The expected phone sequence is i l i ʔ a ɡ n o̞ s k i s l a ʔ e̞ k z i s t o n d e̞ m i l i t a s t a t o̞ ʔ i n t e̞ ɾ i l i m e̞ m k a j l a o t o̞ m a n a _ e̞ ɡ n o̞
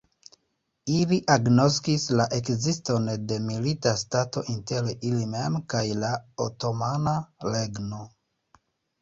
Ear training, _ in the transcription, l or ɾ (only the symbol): l